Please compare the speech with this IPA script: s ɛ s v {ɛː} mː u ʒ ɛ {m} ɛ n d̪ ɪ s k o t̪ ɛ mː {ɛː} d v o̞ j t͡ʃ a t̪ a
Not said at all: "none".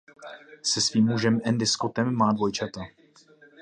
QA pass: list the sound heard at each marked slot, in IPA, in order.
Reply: iː, m, aː

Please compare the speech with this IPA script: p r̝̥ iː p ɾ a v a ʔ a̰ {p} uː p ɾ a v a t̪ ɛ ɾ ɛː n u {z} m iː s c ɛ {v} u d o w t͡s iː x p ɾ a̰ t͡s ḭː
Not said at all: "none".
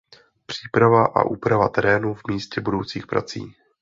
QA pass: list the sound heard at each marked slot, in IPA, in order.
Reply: ʔ, v, b

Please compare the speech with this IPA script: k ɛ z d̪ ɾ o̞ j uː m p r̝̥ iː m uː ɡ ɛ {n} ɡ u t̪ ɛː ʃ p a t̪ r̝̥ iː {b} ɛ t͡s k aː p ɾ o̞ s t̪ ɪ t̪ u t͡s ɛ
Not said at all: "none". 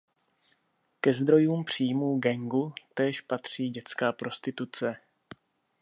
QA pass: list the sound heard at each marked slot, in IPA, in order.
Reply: ŋ, ɟ

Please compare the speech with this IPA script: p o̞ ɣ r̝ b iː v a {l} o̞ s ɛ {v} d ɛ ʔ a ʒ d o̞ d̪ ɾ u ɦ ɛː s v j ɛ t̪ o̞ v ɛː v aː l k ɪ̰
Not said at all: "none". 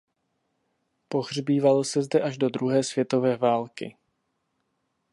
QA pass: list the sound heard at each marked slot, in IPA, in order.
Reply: l, z

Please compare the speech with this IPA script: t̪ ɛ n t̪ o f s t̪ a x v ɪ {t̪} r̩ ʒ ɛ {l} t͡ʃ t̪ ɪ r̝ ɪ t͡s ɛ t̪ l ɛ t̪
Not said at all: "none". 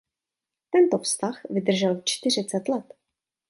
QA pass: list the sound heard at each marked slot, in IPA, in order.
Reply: d̪, l

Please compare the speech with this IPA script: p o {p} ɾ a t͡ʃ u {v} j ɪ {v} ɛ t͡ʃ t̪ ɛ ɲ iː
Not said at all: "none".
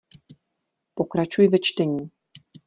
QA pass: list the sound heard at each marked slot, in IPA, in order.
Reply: k, none, v

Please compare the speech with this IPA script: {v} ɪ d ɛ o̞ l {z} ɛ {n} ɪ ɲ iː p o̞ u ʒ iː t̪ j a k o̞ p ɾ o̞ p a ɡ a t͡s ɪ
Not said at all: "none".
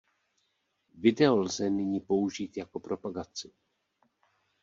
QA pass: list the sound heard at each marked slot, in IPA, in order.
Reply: v, z, n

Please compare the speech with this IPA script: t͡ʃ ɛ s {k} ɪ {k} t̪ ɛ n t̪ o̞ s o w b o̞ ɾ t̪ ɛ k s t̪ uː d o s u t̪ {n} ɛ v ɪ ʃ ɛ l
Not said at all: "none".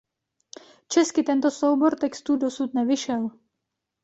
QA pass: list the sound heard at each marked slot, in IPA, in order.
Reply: k, none, n

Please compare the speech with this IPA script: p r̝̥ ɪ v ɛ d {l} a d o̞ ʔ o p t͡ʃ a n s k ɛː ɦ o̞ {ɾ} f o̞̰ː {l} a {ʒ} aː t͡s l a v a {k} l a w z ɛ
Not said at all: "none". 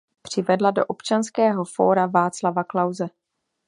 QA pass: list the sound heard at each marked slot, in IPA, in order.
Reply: l, none, ɾ, v, k

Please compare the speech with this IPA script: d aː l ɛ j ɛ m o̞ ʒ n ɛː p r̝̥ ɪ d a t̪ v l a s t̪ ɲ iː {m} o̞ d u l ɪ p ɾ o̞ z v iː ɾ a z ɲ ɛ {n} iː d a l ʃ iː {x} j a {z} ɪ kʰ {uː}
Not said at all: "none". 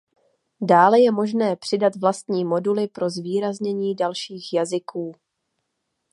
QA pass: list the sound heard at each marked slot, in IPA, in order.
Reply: m, ɲ, x, z, uː

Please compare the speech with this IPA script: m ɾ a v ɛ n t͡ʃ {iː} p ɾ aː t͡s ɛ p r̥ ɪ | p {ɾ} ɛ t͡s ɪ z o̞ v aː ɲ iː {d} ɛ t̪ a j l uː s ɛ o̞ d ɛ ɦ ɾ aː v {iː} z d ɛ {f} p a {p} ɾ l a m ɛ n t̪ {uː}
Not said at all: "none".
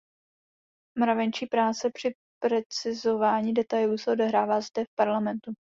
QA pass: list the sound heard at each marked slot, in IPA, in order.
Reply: iː, ɾ, d, aː, f, none, u

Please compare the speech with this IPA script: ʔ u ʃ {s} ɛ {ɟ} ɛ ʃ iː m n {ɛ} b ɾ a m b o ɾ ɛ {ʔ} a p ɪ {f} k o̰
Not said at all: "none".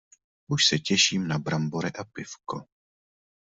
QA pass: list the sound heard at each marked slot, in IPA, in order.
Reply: s, c, a, ʔ, f

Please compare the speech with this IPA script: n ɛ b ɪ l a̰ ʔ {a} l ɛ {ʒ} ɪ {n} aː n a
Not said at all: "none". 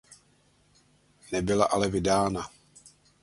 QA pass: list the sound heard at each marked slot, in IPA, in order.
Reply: a, v, d

